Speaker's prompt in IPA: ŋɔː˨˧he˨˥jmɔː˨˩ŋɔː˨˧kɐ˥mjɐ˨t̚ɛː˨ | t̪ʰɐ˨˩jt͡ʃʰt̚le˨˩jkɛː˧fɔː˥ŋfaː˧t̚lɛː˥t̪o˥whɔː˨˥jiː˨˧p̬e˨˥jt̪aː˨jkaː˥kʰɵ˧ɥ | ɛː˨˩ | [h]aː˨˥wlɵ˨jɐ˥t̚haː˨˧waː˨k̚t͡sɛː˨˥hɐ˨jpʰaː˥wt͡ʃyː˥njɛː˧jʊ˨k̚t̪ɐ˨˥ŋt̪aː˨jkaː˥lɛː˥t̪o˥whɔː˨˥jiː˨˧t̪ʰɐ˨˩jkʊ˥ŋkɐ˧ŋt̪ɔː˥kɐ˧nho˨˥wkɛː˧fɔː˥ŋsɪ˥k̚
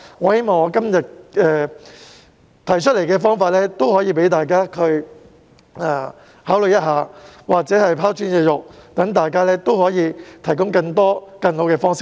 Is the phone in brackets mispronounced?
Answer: no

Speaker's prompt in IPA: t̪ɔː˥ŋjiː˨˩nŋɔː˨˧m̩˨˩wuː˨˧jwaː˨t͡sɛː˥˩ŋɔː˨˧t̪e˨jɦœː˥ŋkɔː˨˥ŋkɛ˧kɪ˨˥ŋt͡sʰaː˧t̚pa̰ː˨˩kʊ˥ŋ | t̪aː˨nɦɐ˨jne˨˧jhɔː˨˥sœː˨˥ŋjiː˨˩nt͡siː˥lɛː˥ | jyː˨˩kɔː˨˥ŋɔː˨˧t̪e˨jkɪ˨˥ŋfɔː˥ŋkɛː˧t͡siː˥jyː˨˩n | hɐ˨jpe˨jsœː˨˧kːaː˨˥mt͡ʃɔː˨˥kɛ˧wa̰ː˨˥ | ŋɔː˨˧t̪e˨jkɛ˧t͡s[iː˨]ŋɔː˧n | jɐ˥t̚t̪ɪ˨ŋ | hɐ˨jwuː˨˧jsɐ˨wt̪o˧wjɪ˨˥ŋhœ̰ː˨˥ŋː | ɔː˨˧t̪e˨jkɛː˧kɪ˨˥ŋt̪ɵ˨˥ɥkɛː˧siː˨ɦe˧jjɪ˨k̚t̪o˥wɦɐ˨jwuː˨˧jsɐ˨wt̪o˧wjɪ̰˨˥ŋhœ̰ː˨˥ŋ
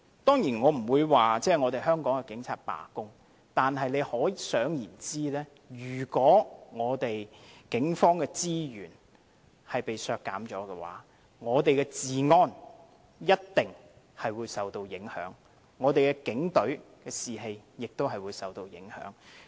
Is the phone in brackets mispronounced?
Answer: no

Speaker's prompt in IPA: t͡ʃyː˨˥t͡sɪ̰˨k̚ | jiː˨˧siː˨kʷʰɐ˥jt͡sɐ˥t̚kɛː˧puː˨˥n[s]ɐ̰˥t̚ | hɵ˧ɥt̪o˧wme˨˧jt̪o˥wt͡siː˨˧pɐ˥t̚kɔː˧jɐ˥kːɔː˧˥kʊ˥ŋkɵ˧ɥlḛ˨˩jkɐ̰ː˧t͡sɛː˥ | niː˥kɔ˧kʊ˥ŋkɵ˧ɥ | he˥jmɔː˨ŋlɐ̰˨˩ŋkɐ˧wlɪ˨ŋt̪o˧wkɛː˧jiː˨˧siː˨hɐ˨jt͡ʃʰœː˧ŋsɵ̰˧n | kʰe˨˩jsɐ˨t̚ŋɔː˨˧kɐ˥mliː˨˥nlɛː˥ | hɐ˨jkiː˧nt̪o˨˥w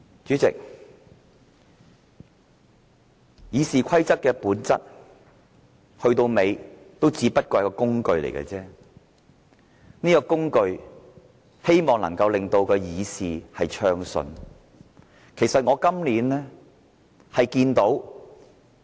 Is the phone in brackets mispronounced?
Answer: yes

